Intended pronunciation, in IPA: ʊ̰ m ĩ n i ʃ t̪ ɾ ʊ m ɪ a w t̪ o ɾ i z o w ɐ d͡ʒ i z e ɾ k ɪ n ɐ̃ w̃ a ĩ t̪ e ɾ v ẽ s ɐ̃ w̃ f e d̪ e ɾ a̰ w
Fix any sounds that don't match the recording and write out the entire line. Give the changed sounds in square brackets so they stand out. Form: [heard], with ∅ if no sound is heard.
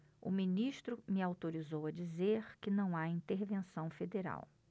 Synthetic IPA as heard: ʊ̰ m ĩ n i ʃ t̪ ɾ ʊ m ɪ a w t̪ o ɾ i z o w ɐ d͡ʒ i z e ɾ k ɪ n ɐ̃ w̃ a ĩ t̪ e ɾ v ẽ s ɐ̃ w̃ f e d̪ e ɾ a̰ w

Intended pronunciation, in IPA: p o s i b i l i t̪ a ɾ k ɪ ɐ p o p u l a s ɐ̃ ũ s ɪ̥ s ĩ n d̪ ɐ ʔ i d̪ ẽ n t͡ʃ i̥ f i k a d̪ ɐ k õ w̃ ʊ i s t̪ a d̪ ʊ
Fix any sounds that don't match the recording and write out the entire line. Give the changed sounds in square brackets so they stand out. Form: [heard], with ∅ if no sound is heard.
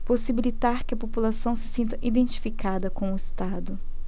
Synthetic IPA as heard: p o s i b i l i t̪ a ɾ k ɪ ɐ p o p u l a s ɐ̃ [w̃] s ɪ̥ s ĩ n [t̪] ɐ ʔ i d̪ ẽ n t͡ʃ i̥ f i k a d̪ ɐ k õ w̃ ʊ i s t̪ a d̪ ʊ

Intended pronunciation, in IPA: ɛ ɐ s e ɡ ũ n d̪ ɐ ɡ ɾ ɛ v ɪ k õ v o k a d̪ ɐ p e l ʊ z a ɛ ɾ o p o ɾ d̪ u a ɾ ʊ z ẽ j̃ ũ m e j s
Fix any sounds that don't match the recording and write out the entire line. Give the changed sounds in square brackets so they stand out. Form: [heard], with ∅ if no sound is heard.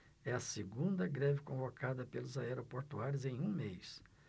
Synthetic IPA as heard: ɛ ɐ s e ɡ ũ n d̪ ɐ ɡ ɾ ɛ v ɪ k õ v o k a d̪ ɐ p e l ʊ z a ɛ ɾ o p o ɾ [t̪] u a ɾ ʊ z ẽ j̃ ũ m e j s

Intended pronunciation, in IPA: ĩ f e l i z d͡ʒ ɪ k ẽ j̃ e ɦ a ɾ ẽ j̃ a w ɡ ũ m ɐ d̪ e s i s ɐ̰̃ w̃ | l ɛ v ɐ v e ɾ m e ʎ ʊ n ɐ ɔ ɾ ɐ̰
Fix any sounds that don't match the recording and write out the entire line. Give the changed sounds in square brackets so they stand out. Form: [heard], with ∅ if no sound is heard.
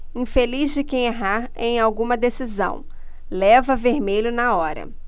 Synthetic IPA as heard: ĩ f e l i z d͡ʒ ɪ k ẽ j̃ e ɦ a ɾ ẽ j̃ a w ɡ ũ m ɐ d̪ e s i [z] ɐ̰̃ w̃ | l ɛ v ɐ v e ɾ m e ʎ ʊ n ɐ ɔ ɾ ɐ̰

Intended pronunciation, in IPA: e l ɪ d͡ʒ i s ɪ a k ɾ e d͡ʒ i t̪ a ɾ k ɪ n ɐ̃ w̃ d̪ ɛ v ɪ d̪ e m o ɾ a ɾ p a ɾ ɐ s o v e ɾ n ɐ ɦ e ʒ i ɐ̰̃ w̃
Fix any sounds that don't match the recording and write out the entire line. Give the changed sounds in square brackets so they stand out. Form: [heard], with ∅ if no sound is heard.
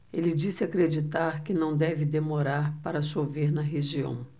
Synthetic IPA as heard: e l ɪ d͡ʒ i s ɪ a k ɾ e d͡ʒ i t̪ a ɾ k ɪ n ɐ̃ w̃ d̪ ɛ v ɪ d̪ e m o ɾ a ɾ p a ɾ ɐ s o v e ɾ n ɐ ɦ e ʒ i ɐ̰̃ w̃

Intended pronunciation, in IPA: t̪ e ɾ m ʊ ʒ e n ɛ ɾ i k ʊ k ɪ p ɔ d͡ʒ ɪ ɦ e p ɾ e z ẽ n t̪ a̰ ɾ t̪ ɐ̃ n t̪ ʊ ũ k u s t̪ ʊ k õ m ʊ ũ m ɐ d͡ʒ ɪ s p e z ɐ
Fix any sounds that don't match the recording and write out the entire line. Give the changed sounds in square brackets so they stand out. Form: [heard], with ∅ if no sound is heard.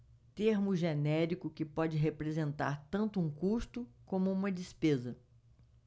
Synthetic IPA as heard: t̪ e ɾ m ʊ ʒ e n ɛ ɾ i k ʊ k ɪ p ɔ d͡ʒ ɪ ɦ e p ɾ e z ẽ n t̪ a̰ ɾ t̪ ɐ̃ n t̪ ʊ ũ k u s t̪ ʊ k õ m ʊ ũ m ɐ d͡ʒ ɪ s p e z ɐ

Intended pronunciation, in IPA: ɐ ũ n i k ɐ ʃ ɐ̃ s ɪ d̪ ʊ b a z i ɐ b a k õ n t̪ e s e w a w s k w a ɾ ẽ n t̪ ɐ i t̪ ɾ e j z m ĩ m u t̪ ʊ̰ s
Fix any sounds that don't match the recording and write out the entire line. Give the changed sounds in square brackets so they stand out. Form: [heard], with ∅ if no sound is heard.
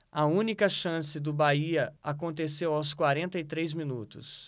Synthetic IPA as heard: ɐ ũ n i k ɐ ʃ ɐ̃ s ɪ d̪ ʊ b a [∅] i ɐ [∅] a k õ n t̪ e s e w a w s k w a ɾ ẽ n t̪ ɐ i t̪ ɾ e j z m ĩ [n] u t̪ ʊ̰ s

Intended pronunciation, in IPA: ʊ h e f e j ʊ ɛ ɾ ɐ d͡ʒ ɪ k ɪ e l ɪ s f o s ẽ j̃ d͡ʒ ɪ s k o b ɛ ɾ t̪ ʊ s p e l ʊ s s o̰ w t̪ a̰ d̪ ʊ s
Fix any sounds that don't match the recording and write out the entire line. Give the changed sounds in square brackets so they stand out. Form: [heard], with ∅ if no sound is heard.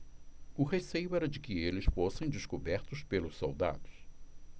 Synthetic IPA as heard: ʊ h e [s] e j ʊ ɛ ɾ ɐ d͡ʒ ɪ k ɪ e l ɪ s f o s ẽ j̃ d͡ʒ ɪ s k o b ɛ ɾ t̪ ʊ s p e l ʊ s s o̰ w [d̪] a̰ d̪ ʊ s

